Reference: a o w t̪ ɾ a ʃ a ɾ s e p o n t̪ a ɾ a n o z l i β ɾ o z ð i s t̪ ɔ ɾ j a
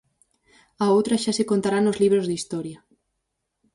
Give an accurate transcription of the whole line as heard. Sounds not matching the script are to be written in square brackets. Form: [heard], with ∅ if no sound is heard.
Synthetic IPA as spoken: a o w t̪ ɾ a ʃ a [∅] s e [k] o n t̪ a ɾ a n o z l i β ɾ o z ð i s t̪ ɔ ɾ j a